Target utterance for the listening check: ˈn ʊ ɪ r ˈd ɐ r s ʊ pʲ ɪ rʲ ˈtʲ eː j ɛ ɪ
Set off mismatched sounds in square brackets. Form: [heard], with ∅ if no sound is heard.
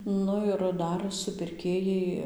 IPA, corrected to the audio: ˈn ʊ ɪ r ˈd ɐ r s ʊ pʲ ɪ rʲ [ˈkʲ] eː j ɛ ɪ